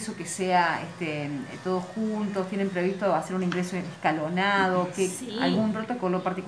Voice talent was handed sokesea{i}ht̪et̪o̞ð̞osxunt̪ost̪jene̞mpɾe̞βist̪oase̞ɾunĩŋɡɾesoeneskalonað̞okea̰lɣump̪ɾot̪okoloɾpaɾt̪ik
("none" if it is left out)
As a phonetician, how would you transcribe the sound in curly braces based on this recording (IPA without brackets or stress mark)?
e